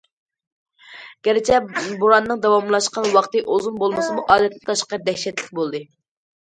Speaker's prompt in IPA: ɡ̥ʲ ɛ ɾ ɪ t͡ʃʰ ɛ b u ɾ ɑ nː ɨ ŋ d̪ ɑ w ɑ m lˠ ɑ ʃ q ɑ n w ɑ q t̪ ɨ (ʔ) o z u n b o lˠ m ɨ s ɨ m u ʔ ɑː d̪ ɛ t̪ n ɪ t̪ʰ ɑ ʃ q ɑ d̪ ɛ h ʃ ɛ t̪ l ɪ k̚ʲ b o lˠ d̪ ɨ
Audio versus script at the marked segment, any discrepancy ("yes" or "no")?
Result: no